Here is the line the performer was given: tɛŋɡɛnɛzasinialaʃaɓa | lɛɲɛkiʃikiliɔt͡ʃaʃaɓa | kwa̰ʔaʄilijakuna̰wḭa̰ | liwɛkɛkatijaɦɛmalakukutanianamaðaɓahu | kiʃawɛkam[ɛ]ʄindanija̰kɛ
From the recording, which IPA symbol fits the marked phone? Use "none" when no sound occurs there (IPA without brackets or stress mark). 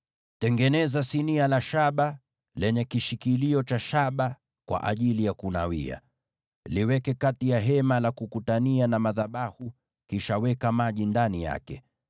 a